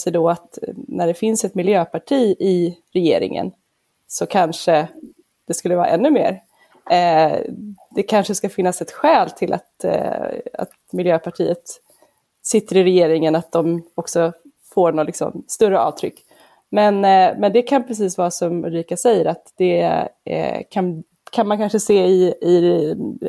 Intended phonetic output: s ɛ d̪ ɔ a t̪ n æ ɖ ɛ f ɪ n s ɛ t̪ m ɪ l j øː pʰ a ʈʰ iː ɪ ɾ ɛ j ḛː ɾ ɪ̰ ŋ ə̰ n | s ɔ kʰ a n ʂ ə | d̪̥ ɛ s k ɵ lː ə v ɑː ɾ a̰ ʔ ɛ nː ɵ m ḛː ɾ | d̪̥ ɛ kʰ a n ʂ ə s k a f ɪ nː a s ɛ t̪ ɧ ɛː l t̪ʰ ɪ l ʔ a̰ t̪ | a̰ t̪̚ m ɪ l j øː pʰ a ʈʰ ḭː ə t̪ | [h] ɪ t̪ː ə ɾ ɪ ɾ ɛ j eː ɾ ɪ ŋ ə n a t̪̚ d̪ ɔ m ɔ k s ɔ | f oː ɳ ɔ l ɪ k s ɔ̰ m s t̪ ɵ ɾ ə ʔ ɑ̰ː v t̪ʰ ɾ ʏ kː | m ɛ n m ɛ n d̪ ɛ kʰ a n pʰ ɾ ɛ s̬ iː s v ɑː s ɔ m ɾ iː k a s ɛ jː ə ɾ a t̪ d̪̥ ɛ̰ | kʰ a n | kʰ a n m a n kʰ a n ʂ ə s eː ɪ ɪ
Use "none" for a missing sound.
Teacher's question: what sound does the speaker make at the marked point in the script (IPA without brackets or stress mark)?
s